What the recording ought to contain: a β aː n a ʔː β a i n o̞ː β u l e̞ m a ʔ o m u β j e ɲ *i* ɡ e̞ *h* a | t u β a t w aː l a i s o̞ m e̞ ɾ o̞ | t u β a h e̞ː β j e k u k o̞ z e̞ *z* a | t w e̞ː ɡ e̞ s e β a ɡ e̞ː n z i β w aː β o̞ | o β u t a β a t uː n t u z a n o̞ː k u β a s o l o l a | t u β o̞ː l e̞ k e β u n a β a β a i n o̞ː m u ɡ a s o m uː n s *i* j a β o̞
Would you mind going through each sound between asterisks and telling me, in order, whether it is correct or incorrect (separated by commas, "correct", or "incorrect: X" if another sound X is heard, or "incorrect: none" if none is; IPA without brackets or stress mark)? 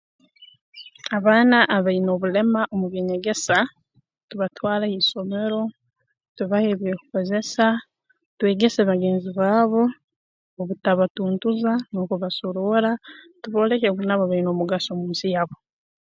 incorrect: e, incorrect: s, incorrect: s, correct